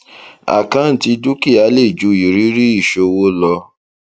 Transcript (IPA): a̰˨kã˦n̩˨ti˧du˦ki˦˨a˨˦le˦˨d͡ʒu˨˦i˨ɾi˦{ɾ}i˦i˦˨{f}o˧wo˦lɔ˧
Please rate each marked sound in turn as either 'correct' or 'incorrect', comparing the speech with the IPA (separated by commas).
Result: correct, incorrect